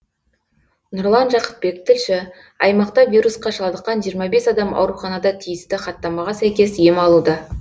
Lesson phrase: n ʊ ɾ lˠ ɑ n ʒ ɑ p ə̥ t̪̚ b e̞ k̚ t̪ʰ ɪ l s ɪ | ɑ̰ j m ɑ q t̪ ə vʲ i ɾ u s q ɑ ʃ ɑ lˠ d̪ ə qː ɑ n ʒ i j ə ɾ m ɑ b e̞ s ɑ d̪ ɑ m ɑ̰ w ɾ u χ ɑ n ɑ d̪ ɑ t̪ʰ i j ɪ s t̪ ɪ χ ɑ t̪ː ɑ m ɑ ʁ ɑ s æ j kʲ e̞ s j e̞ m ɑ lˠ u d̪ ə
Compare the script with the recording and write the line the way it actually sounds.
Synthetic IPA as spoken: n ʊ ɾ lˠ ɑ n ʒ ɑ q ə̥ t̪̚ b e̞ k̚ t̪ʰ ɪ l ʃ ɪ | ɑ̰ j m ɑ q t̪ ɑ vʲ i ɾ u s q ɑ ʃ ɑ lˠ d̪ ə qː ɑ n ʒ i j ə ɾ m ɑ b e̞ s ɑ d̪ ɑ m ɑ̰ w ɾ u χ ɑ n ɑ d̪ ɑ t̪ʰ i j ɪ s t̪ ɪ χ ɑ t̪ː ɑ m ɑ ʁ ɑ s æ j kʲ e̞ s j e̞ m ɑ lˠ u d̪ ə